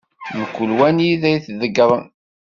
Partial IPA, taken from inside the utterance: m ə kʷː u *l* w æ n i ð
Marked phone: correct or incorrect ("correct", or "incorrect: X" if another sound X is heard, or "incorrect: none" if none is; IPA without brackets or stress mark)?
correct